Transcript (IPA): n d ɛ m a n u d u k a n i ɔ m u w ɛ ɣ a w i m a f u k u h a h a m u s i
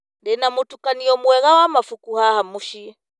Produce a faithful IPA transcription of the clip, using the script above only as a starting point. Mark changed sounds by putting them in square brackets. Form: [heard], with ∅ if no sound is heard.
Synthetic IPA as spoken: n d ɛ [n] a [m] u [t] u k a n i ɔ m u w ɛ ɣ a w [a] m a f u k u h a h a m u [ʃ] i